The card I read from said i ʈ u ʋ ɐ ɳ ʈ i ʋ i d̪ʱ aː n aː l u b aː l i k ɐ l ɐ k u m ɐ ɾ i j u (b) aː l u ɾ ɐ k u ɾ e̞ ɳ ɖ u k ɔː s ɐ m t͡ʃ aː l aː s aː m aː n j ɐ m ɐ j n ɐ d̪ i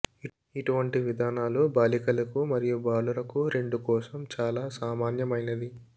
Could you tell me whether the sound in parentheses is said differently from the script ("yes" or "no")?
no